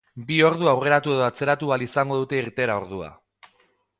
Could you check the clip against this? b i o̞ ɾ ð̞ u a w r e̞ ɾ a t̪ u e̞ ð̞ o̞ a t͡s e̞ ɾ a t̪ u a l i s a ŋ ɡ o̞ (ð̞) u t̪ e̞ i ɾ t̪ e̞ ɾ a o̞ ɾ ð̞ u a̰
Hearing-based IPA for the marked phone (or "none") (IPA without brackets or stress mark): ð̞